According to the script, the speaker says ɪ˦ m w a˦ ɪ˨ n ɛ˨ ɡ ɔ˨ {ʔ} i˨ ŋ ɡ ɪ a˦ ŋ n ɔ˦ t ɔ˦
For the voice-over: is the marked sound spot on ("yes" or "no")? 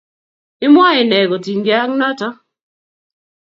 no